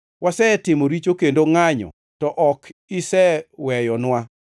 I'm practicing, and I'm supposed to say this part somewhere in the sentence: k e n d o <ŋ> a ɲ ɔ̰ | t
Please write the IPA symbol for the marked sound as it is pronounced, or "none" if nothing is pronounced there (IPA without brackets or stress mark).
ŋ